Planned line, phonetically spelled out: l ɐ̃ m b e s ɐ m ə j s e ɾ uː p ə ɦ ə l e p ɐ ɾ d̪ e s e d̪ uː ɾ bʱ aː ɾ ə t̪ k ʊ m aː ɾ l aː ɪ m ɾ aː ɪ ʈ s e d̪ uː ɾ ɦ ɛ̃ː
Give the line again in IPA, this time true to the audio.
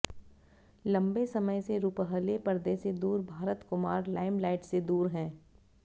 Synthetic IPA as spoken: l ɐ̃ m b e s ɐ m ə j s e ɾ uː p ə ɦ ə l e p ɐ ɾ d̪ e s e d̪ uː ɾ bʱ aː ɾ ə t̪ k ʊ m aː ɾ l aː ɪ m l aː ɪ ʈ s e d̪ uː ɾ ɦ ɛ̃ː

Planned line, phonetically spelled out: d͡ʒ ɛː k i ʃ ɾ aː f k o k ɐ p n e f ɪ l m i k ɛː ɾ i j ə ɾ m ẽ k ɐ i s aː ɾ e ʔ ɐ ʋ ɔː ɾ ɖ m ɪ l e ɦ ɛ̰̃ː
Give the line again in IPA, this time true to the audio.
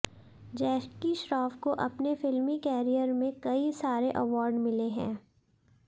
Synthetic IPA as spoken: d͡ʒ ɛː k i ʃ ɾ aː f k o ʔ ɐ p n e f ɪ l m i k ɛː ɾ i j ə ɾ m ẽ k ɐ i s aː ɾ e ʔ ɐ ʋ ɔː ɾ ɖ m ɪ l e ɦ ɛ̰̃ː

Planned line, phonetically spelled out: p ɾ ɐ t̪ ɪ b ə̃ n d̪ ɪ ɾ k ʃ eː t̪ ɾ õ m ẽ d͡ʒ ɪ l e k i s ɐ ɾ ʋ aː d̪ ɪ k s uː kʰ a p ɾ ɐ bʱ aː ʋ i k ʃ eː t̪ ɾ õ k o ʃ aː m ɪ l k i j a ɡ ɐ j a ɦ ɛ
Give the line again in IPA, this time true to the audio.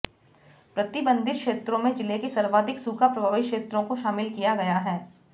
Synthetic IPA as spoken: p ɾ ɐ t̪ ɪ b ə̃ n d̪ ɪ ɾ k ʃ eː t̪ ɾ õ m ẽ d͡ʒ ɪ l e k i s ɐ ɾ ʋ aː d̪ ɪ k s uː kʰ a p ɾ ɐ bʱ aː ʋ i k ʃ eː t̪ ɾ õ k o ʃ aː m ɪ l k i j a ɡ ɐ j a ɦ ɛː

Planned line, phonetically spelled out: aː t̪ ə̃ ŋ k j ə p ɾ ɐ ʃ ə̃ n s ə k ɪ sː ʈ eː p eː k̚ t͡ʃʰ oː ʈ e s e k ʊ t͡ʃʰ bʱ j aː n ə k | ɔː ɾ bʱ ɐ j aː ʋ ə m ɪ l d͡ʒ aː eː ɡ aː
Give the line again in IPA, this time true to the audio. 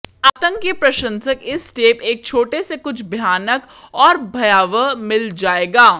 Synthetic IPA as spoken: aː t̪ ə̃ ŋ k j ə p ɾ ɐ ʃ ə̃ n s ə k ɪ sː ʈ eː p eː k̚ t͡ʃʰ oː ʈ e s e k ʊ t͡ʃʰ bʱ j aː n ə k | ɔː ɾ bʱ ɐ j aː ʋ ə m ɪ l d͡ʒ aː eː ɡ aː

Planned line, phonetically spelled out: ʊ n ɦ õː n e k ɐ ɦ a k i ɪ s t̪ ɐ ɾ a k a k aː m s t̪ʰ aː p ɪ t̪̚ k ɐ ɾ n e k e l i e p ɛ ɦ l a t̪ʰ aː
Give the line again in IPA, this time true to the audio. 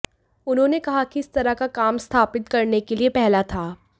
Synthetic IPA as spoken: ʊ n ɦ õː n e k ɐ ɦ a k i ɪ s t̪ ɐ ɾ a k a k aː m s t̪ʰ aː p ɪ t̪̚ k ɐ ɾ n e k e l i e p ɛ ɦ l a t̪ʰ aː

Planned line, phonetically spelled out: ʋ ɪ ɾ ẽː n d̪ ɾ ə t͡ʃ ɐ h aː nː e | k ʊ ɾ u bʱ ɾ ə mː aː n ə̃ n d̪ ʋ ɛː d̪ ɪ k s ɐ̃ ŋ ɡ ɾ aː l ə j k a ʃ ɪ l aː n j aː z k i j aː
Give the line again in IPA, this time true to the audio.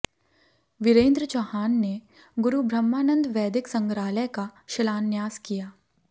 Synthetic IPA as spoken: ʋ ɪ ɾ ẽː n d̪ ɾ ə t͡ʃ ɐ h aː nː e | ɡ ʊ ɾ u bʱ ɾ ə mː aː n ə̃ n d̪ ʋ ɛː d̪ ɪ k s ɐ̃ ŋ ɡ ɾ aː l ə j k a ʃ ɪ l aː n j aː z k i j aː

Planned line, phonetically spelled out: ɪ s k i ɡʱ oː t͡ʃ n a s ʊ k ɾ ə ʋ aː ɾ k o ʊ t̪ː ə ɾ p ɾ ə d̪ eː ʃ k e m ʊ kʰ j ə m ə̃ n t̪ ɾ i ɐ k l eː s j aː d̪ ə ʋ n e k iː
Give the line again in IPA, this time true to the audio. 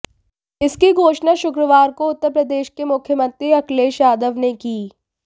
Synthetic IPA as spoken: ɪ s k i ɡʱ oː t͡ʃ n a ʃ ʊ k ɾ ə ʋ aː ɾ k o ʊ t̪ː ə ɾ p ɾ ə d̪ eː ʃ k e m ʊ kʰ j ə m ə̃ n t̪ ɾ i ɐ k l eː ʃ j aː d̪ ə ʋ n e k iː

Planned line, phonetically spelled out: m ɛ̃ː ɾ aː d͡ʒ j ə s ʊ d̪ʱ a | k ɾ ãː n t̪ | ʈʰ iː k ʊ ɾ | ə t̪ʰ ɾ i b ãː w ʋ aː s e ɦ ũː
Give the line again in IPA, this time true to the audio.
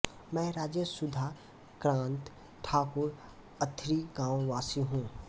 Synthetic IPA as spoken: m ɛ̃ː ɾ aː d͡ʒ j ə s ʊ d̪ʱ a | k ɾ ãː n t̪ | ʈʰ aː k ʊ ɾ | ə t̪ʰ ɾ i ɡ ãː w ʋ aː s i ɦ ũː

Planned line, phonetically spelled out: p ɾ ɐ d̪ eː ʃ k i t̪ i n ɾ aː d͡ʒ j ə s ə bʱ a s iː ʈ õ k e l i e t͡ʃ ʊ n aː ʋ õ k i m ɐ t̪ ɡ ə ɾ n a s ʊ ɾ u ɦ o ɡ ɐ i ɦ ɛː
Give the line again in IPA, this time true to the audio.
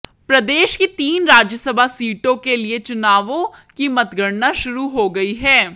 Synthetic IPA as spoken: p ɾ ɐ d̪ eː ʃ k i t̪ iː n ɾ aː d͡ʒ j ə s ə bʱ a s iː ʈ õ k e l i e t͡ʃ ʊ n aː ʋ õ k i m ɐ t̪ ɡ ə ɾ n a ʃ ʊ ɾ u ɦ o ɡ ɐ i ɦ ɛː

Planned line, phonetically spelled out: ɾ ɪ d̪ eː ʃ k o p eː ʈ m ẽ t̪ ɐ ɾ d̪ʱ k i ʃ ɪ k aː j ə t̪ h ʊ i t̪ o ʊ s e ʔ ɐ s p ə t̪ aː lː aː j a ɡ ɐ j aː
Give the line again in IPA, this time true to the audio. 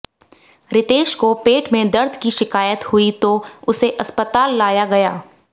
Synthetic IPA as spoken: ɾ ɪ t̪ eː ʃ k o p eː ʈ m ẽ d̪ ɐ ɾ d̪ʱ k i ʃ ɪ k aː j ə t̪ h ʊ i t̪ o ʊ s e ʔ ɐ s p ə t̪ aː lː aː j a ɡ ɐ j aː

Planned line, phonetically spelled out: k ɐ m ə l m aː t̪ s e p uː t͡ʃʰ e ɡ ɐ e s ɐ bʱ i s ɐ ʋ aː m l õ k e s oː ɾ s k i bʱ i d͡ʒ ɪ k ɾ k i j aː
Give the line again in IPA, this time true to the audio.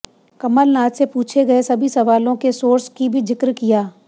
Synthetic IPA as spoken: k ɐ m ə l n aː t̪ s e p uː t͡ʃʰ e ɡ ɐ e s ɐ bʱ i s ɐ ʋ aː l õ k e s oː ɾ s k i bʱ i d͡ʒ ɪ k ɾ k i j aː

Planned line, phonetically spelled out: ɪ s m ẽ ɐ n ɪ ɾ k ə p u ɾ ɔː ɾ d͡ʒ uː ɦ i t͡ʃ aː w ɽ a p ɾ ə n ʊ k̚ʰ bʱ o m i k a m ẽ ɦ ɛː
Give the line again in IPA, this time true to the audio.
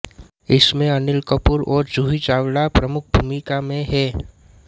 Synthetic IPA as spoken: ɪ s m ẽ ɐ n ɪ l k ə p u ɾ ɔː ɾ d͡ʒ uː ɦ i t͡ʃ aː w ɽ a p ɾ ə m ʊ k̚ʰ bʱ u m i k a m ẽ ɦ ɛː

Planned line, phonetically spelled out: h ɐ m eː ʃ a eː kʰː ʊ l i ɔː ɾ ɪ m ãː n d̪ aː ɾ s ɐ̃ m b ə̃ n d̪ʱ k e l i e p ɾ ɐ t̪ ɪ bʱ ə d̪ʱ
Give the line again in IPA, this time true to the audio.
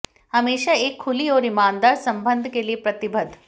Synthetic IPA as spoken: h ɐ m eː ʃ a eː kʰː ʊ l i ɔː ɾ ɪ m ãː n d̪ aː ɾ s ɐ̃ m b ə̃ n d̪ʱ k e l i e p ɾ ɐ t̪ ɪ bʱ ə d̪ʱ

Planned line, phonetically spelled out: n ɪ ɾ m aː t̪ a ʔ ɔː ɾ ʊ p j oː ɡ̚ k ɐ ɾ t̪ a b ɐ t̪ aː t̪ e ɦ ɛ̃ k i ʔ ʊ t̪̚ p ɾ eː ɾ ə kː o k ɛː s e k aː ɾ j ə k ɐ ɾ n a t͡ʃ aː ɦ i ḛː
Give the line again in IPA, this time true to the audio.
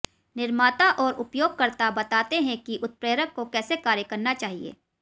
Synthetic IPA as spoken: n ɪ ɾ m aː t̪ a ʔ ɔː ɾ ʊ p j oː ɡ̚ k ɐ ɾ t̪ a b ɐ t̪ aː t̪ e ɦ ɛ̃ k i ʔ ʊ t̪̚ p ɾ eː ɾ ə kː o k ɛː s e k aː ɾ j ə k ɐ ɾ n a t͡ʃ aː ɦ i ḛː

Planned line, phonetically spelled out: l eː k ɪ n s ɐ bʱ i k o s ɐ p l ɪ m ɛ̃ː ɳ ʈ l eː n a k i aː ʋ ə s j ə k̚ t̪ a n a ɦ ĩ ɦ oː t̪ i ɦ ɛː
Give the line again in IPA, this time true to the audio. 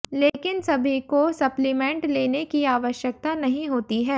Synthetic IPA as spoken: l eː k ɪ n s ɐ bʱ i k o s ɐ p l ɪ m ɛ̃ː ɳ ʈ l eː n e k i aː ʋ ə ʃ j ə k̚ t̪ a n ɐ ɦ ĩ ɦ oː t̪ i ɦ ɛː

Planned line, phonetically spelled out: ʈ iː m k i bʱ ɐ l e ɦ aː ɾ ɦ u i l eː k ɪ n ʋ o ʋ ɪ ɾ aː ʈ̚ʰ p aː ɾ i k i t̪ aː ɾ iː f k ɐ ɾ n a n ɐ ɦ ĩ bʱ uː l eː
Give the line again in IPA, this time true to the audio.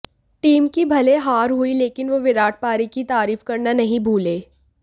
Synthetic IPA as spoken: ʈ iː m k i bʱ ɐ l e ɦ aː ɾ ɦ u i l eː k ɪ n ʋ o ʋ ɪ ɾ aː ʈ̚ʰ p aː ɾ i k i t̪ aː ɾ iː f k ɐ ɾ n a n ɐ ɦ ĩ bʱ uː l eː

